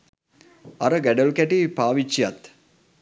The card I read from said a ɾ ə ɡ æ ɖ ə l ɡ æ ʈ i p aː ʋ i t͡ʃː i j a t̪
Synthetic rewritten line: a ɾ ə ɡ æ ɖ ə l k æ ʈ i p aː ʋ i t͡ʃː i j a t̪